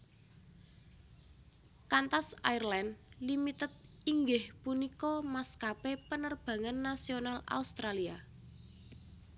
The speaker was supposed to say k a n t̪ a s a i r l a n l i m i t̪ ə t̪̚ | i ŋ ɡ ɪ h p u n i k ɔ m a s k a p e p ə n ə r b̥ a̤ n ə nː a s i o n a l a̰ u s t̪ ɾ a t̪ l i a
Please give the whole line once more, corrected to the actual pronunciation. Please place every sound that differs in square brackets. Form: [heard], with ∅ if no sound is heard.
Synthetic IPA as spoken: k a n t̪ a s a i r l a n l i m i t̪ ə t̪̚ | i ŋ ɡ ɪ h p u n i k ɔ m a s k a p e p ə n ə r b̥ a̤ [ŋ] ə nː a s i o n a l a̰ u s t̪ ɾ a [∅] l i a